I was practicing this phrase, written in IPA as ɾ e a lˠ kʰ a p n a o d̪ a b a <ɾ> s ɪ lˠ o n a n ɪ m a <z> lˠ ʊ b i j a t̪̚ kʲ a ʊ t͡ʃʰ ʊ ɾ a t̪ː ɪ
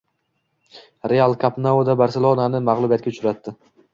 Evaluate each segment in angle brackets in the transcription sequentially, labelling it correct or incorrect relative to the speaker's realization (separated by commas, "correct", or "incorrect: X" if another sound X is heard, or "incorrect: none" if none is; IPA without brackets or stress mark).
correct, incorrect: ʁ